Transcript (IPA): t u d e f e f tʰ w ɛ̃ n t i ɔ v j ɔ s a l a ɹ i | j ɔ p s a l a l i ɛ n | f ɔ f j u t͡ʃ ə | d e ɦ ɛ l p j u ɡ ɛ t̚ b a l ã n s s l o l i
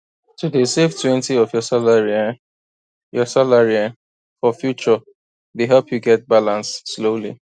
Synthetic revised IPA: t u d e s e f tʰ w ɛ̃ n t i ɔ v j ɔ s a l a ɹ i | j ɔ s a l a ɹ i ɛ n | f ɔ f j u t͡ʃ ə | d e ɦ ɛ l p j u ɡ ɛ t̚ b a l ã n s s l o l i

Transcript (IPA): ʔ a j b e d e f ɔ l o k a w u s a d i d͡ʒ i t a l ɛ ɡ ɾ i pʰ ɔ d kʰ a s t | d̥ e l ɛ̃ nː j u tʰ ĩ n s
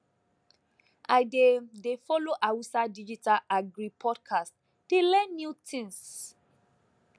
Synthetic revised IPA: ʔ a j d e d e f ɔ l o ʔ a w u s a d i d͡ʒ i t a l a ɡ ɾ i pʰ ɔ d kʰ a s t | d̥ e l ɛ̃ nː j u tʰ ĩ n s

